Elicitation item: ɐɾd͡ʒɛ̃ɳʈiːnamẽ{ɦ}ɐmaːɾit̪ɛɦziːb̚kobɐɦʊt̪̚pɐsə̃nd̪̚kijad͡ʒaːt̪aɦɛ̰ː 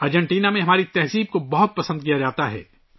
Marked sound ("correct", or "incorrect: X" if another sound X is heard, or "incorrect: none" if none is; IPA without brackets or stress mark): correct